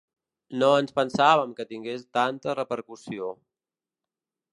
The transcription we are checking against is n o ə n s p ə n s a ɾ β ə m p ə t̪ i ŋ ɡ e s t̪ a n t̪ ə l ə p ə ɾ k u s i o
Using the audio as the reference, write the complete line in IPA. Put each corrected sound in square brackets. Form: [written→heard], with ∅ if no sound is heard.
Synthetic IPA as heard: n o ə n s p ə n s a [ɾ→∅] β ə m [p→k] ə t̪ i ŋ ɡ e s t̪ a n t̪ ə [l→r] ə p ə ɾ k u s i o